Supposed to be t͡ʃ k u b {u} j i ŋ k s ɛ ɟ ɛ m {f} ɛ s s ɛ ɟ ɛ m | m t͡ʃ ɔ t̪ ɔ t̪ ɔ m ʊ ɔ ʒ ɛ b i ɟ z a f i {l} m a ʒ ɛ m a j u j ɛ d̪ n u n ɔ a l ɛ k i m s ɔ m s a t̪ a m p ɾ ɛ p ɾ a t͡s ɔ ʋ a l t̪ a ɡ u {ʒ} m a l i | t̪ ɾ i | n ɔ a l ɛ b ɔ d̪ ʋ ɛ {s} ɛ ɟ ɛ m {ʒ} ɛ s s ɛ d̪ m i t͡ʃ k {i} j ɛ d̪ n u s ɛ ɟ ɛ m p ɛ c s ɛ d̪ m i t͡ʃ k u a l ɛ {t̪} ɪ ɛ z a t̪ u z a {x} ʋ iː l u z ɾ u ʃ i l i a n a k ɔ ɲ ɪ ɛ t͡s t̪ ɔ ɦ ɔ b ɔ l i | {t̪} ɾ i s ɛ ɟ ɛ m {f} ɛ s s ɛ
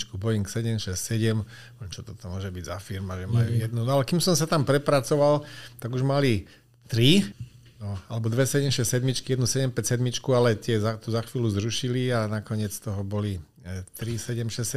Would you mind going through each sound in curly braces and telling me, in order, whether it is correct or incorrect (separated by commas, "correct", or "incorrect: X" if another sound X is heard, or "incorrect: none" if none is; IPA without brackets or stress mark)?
incorrect: ɔ, incorrect: ʃ, incorrect: ɾ, correct, correct, incorrect: ʃ, correct, correct, correct, correct, incorrect: ʃ